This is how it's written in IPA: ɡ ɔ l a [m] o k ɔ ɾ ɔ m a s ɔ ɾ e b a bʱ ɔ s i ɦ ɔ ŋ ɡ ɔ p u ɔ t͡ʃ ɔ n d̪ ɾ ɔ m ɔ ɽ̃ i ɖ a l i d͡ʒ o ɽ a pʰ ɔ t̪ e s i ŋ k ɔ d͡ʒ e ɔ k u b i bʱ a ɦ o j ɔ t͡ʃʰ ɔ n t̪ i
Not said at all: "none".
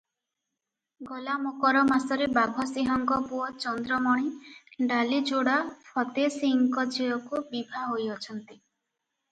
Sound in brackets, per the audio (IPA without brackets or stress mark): m